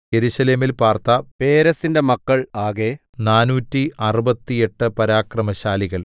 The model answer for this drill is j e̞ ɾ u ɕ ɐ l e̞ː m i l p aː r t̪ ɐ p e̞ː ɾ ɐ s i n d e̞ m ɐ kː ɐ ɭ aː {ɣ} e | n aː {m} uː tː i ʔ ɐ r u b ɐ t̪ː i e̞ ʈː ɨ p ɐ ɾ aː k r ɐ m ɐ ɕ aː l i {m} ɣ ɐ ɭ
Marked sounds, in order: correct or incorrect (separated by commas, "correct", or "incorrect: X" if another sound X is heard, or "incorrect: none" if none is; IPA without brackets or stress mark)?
correct, incorrect: n, incorrect: none